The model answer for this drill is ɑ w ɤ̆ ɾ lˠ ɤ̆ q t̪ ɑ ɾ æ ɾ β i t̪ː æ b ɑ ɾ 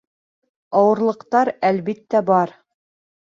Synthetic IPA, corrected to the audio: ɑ w ɤ̆ ɾ lˠ ɤ̆ q t̪ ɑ ɾ æ l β i t̪ː æ b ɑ ɾ